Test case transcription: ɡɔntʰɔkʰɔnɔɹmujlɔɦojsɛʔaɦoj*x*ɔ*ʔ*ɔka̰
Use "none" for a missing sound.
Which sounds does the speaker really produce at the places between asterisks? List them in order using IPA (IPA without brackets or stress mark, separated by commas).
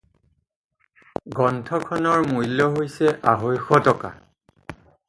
x, t